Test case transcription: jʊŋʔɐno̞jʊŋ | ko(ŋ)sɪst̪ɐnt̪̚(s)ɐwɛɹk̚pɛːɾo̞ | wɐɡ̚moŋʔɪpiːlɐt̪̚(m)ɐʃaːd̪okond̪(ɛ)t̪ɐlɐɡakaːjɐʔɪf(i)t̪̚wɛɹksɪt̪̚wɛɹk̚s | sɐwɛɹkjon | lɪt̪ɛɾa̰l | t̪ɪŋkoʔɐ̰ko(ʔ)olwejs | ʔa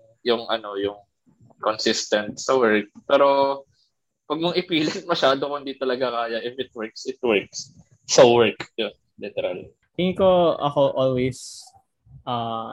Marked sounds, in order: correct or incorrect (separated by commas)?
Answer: incorrect, correct, correct, incorrect, incorrect, correct